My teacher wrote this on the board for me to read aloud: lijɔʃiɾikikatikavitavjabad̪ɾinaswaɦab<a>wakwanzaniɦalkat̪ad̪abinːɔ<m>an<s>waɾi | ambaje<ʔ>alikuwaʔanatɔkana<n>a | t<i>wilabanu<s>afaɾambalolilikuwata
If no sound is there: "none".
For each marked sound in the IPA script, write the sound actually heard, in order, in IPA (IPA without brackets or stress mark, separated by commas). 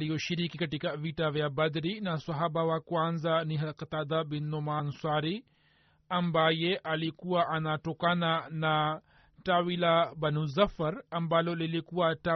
a, m, s, ʔ, n, a, z